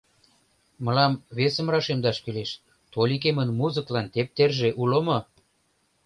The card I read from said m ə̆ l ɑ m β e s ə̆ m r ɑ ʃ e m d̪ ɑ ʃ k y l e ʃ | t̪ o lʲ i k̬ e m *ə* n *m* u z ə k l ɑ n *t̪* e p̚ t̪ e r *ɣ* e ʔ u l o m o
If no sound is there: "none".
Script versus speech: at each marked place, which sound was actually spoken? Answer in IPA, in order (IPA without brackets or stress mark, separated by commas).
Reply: ə, m, t̪, ʒ